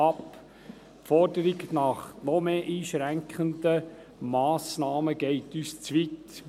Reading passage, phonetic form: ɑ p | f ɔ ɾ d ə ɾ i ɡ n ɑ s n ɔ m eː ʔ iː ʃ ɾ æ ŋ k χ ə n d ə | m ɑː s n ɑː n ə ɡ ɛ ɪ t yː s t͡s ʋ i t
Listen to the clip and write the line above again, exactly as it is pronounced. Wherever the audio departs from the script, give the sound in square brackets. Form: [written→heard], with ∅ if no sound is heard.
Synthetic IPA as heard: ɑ p | f ɔ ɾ d ə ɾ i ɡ n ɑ [s→χ] n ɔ m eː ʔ iː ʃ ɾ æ ŋ k χ ə n d ə | m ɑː s n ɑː [n→m] ə ɡ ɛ ɪ t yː s t͡s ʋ i t

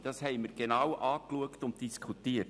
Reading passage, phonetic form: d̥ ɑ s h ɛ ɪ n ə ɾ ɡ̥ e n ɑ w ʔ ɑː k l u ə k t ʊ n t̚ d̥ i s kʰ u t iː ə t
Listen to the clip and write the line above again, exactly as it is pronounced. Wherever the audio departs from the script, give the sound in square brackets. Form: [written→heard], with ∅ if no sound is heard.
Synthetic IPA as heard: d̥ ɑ s h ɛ ɪ [n→m] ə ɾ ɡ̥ e n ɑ w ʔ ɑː k l u ə k t ʊ n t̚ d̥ i s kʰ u t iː ə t

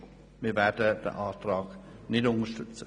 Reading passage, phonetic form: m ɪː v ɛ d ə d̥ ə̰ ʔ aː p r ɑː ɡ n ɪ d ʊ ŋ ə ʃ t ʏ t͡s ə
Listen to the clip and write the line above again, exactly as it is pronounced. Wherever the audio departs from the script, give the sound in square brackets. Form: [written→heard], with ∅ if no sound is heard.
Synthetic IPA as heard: m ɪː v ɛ d ə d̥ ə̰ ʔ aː [p→t] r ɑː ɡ n ɪ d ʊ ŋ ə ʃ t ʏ t͡s ə

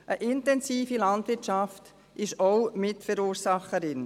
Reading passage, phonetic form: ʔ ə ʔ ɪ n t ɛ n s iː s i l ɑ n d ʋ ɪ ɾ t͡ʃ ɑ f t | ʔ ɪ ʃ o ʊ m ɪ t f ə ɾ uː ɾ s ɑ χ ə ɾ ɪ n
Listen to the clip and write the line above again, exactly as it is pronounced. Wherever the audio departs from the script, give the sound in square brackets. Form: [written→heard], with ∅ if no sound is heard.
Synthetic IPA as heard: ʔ ə ʔ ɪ n t ɛ n s iː [s→f] i l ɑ n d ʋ ɪ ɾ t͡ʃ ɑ f t | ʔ ɪ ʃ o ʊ m ɪ t f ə ɾ uː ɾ s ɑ χ ə ɾ ɪ n

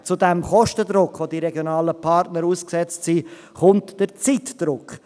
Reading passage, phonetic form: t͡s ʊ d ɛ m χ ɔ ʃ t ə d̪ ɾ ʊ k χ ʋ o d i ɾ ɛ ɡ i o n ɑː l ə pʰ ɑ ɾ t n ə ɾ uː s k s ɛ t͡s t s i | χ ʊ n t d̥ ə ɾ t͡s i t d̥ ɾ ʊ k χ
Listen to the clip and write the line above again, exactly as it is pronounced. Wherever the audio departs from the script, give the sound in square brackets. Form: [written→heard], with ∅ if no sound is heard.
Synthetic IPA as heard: t͡s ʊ d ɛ m χ ɔ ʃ t ə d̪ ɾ ʊ k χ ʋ o d i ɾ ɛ ɡ [i→j] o n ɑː l ə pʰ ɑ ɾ t n ə ɾ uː s k s ɛ t͡s t s i | χ ʊ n t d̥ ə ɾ t͡s i t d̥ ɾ ʊ k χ

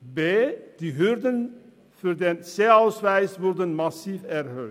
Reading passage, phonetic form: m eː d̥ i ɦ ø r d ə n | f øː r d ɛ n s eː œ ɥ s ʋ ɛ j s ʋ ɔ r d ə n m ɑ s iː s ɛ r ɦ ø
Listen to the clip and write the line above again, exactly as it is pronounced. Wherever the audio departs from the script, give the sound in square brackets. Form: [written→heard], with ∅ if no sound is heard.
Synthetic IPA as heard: [m→b] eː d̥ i ɦ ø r d ə n | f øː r d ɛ n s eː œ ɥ s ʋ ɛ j s ʋ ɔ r d ə n m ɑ s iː [s→f] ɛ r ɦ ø

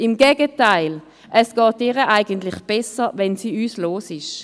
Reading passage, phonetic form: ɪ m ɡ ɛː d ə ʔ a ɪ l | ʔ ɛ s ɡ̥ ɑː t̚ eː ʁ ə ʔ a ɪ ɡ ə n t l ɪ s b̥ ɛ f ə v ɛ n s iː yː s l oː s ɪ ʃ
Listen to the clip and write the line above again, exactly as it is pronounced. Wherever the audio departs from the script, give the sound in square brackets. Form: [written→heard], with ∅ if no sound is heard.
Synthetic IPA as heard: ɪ m ɡ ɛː [d→ɡ] ə [ʔ→t] a ɪ l | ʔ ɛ s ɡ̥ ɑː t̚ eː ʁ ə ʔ a ɪ ɡ ə n t l ɪ [s→χ] b̥ ɛ [f→s] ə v ɛ n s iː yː s l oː s ɪ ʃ

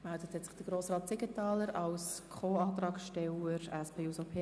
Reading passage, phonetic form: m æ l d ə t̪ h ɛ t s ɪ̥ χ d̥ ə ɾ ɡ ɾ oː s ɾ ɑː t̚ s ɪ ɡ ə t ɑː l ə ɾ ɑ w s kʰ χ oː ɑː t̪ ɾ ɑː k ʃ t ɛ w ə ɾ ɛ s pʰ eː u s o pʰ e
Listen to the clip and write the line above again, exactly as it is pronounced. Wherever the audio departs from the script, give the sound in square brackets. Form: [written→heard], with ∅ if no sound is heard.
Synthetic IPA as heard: m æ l d ə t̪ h ɛ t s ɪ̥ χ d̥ ə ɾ ɡ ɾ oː s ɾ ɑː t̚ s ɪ ɡ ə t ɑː l ə ɾ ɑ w s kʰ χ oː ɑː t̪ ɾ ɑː k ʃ t ɛ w ə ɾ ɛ s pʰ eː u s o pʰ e

